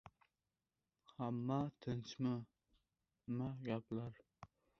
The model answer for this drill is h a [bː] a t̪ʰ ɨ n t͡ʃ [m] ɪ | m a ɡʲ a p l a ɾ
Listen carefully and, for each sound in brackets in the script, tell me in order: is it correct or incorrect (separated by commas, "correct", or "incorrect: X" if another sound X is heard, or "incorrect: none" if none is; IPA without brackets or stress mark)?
incorrect: mː, correct